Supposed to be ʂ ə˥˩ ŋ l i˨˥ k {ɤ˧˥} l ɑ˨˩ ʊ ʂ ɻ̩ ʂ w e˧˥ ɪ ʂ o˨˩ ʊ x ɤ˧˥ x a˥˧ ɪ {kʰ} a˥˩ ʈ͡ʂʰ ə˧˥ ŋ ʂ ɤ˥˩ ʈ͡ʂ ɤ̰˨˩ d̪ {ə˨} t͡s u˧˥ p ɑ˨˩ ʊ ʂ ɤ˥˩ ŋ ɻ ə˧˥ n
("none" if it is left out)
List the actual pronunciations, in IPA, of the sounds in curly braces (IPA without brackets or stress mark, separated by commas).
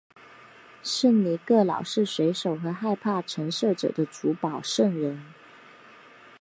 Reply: ɤ˥˩, pʰ, ə˦